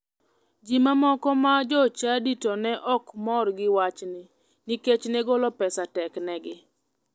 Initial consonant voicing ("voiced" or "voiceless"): voiced